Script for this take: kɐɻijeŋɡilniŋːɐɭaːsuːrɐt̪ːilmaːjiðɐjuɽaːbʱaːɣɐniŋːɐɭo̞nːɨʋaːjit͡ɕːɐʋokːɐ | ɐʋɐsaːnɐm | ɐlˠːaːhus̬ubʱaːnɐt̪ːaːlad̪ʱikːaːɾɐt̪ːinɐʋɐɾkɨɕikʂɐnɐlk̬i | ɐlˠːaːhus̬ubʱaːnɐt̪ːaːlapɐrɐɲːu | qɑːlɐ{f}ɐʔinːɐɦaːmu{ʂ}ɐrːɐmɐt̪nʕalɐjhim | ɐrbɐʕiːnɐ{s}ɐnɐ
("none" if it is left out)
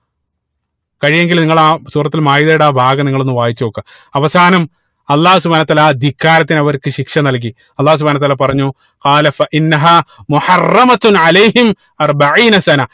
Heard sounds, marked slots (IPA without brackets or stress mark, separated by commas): f, ħ, s